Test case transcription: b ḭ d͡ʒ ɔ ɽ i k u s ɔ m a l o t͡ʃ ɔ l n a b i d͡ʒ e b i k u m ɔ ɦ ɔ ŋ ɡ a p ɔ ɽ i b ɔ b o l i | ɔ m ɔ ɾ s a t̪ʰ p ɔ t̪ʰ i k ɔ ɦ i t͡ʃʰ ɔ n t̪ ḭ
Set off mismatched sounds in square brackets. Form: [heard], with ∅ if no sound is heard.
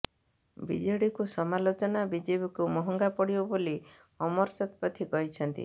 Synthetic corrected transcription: b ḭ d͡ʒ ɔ ɽ i k u s ɔ m a l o t͡ʃ ɔ [∅] n a b i d͡ʒ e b i k u m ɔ ɦ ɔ ŋ ɡ a p ɔ ɽ i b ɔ b o l i | ɔ m ɔ ɾ s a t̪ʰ p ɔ t̪ʰ i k ɔ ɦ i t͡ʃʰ ɔ n t̪ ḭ